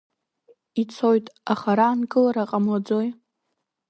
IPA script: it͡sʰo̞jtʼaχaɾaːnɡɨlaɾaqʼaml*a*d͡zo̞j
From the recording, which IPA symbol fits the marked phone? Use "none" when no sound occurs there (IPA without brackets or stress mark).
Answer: a